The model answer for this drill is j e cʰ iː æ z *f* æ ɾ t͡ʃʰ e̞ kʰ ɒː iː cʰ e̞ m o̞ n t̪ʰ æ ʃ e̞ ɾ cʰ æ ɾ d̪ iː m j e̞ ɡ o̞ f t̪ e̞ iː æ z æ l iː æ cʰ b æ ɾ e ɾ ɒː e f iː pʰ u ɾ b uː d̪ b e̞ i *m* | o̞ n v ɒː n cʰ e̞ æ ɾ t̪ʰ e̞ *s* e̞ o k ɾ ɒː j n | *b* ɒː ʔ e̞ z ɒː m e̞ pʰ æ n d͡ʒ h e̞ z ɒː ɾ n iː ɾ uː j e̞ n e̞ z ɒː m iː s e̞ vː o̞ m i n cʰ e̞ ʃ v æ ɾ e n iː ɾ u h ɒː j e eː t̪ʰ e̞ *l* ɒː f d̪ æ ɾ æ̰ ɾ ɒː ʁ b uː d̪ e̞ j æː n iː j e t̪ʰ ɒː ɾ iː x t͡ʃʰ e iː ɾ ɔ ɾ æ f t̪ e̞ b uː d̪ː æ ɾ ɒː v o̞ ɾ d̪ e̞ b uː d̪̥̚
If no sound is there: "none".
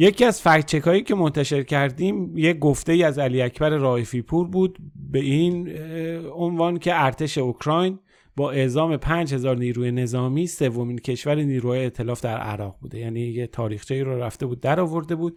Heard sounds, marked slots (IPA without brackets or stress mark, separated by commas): f, n, ʃ, b, l